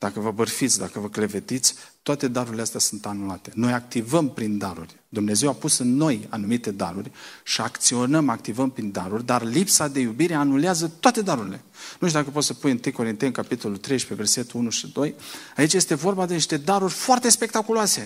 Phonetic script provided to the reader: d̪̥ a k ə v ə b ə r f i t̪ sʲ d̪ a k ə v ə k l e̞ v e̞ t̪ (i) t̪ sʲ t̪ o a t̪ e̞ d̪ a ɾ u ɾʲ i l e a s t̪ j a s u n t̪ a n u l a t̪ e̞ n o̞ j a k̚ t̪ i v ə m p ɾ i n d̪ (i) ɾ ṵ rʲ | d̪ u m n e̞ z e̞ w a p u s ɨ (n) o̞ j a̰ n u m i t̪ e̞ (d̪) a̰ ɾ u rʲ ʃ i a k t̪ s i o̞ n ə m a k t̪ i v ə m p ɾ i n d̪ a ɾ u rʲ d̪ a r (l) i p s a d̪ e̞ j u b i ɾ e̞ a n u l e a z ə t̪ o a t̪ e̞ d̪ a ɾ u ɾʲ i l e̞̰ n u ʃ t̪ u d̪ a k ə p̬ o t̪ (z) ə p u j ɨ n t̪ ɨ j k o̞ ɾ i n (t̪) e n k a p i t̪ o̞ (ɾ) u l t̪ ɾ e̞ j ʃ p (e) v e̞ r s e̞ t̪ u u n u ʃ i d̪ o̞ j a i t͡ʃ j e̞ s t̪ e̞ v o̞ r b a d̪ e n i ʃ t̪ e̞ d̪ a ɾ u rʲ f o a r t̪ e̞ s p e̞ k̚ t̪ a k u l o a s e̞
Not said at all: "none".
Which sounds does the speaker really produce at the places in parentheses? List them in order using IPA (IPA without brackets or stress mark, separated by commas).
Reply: i, a, nː, d̪, l, s, t̪, l, e